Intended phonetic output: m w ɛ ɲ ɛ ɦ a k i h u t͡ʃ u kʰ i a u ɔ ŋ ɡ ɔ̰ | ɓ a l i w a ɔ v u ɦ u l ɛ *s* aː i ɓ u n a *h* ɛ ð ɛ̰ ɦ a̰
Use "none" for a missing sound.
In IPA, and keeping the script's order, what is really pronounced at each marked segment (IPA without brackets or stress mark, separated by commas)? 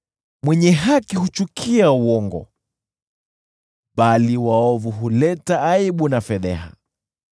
t, f